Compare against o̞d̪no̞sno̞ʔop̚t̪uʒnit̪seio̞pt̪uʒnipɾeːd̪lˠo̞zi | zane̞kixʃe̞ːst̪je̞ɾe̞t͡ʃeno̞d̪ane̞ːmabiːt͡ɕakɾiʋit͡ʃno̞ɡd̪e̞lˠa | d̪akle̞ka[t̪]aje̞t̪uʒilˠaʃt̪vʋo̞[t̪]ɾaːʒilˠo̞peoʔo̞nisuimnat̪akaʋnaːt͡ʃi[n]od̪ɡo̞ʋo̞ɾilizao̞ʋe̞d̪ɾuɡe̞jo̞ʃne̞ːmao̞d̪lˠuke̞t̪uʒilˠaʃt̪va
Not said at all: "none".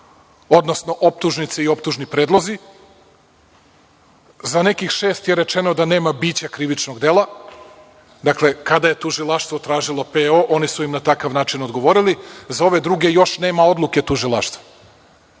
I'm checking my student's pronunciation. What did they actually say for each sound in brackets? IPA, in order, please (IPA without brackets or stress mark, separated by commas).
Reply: d̪, t̪, n